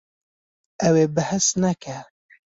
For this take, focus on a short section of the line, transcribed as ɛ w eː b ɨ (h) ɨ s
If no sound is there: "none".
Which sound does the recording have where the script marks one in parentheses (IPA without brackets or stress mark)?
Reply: h